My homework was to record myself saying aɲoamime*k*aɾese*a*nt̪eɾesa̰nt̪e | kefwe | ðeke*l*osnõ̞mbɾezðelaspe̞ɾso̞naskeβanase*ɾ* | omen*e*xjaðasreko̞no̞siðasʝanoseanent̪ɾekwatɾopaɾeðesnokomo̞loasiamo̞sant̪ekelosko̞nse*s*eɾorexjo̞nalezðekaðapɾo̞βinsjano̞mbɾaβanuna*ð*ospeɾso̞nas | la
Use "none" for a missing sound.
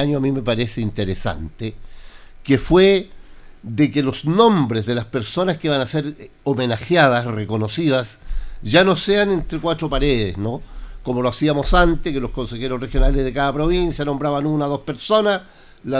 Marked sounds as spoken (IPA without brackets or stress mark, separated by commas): p, i, l, ɾ, a, x, ð